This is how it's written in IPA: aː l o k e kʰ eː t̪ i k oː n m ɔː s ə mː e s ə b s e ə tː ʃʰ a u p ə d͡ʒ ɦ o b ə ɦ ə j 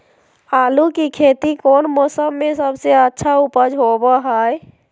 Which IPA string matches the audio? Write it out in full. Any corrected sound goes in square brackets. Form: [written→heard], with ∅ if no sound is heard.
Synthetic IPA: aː l [o→u] k [e→i] kʰ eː t̪ i k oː n m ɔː s ə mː e s ə b s e ə tː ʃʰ a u p ə d͡ʒ ɦ o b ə ɦ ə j